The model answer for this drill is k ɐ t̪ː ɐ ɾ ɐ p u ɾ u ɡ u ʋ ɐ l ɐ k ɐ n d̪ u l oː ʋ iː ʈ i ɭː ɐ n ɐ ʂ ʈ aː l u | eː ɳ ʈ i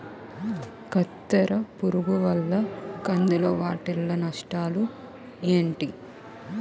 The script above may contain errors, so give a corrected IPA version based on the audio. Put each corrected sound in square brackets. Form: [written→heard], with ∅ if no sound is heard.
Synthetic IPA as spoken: k ɐ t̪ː ɐ ɾ ɐ p u ɾ u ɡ u ʋ ɐ [l→lː] ɐ k ɐ n d̪ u l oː ʋ [iː→aː] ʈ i [ɭː→lː] ɐ n ɐ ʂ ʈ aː l u | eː ɳ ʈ i